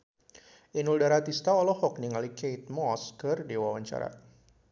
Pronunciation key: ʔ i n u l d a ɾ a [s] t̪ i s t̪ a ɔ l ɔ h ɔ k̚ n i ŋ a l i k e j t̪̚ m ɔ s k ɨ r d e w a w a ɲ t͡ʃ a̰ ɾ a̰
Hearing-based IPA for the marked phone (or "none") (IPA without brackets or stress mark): none